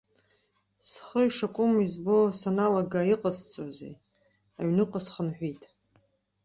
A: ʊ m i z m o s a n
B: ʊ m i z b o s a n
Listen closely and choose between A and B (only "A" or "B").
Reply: B